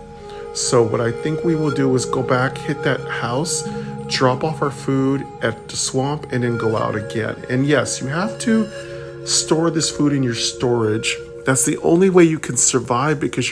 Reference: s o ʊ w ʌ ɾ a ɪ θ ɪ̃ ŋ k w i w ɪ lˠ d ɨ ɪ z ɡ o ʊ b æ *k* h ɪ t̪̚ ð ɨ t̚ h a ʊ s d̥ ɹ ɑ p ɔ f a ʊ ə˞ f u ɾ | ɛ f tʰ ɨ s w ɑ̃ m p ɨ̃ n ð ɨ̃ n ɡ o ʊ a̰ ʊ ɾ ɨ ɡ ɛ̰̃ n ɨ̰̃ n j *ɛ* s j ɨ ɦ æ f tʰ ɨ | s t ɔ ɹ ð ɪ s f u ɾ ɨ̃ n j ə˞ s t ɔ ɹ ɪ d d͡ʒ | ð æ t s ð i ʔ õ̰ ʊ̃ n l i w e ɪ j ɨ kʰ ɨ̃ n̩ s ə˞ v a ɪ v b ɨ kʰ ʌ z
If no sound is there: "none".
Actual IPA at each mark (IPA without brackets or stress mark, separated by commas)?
k, ɛ